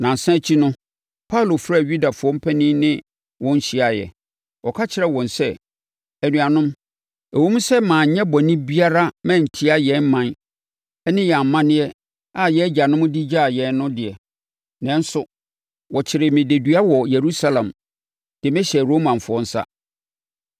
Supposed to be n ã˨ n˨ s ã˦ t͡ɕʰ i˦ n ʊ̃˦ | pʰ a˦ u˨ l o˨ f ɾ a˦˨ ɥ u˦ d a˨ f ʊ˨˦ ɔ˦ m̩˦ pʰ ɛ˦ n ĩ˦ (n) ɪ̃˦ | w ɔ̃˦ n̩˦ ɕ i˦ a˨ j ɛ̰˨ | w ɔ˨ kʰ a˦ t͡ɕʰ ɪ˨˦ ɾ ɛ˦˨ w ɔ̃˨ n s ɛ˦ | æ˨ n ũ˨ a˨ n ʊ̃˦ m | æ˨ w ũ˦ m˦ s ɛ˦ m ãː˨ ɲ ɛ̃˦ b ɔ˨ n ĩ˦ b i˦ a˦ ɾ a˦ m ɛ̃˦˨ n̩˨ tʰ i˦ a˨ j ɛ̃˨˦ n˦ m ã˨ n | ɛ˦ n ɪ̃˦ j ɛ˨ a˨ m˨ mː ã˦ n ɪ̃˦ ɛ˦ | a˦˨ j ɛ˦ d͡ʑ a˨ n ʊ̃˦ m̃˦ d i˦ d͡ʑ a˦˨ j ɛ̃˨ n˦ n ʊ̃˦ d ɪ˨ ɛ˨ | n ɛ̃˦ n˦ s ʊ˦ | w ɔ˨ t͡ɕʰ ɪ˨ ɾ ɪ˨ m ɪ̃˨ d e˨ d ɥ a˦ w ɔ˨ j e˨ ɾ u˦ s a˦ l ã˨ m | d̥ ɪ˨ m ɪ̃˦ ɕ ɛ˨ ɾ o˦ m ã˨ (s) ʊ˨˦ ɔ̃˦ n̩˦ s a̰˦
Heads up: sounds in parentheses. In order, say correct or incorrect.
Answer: correct, incorrect: f

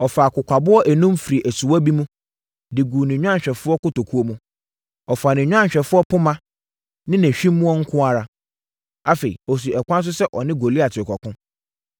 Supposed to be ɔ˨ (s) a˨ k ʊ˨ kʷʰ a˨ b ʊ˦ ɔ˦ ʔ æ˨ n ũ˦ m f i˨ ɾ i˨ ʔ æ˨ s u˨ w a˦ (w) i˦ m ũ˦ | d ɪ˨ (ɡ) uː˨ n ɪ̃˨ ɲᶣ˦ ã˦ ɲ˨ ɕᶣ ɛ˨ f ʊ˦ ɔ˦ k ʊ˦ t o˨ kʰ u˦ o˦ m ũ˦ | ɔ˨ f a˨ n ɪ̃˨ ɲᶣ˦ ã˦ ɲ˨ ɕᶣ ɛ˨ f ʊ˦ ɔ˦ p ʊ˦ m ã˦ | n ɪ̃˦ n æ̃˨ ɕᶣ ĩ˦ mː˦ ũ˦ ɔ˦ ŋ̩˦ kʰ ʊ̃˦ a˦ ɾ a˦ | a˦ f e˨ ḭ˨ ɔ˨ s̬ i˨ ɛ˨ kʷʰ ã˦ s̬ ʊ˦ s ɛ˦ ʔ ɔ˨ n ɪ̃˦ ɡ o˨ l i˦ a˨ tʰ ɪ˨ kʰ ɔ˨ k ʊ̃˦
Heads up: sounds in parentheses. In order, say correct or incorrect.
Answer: incorrect: f, incorrect: b, correct

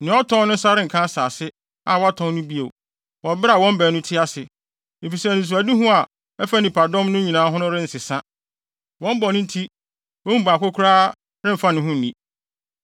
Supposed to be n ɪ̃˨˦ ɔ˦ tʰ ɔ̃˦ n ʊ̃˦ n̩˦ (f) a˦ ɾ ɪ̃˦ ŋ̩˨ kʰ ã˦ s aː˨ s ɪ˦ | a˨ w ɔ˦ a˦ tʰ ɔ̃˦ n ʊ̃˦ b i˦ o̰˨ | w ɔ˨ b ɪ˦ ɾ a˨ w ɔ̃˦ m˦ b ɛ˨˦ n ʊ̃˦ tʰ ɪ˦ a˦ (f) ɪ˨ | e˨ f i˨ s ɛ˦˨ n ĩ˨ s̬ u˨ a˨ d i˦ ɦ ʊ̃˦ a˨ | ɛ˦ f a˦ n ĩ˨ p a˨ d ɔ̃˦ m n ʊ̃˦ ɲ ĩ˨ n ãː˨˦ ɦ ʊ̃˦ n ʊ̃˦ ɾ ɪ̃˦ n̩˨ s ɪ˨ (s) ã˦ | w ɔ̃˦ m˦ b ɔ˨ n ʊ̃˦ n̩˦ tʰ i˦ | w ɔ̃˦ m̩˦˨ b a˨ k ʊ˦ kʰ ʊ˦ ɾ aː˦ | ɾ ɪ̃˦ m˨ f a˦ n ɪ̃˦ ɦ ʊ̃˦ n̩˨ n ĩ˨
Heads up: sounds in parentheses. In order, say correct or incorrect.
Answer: incorrect: s, incorrect: s, correct

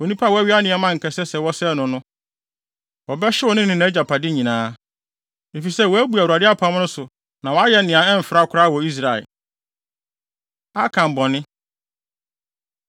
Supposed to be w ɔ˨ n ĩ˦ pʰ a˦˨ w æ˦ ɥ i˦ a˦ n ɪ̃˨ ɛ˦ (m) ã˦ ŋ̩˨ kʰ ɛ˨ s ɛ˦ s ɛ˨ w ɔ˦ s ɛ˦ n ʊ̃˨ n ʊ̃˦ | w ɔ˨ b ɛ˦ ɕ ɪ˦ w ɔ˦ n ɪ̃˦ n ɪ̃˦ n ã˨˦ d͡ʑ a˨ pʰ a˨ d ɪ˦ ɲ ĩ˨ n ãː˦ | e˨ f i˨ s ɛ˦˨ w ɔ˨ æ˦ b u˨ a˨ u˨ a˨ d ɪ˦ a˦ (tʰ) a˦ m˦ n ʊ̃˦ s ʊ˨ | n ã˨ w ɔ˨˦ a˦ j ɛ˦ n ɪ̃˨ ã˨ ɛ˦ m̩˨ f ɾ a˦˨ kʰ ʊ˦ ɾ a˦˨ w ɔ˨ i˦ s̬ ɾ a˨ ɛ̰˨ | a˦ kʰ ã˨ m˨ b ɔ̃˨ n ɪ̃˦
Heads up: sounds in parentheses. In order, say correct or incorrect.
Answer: correct, incorrect: pʰ

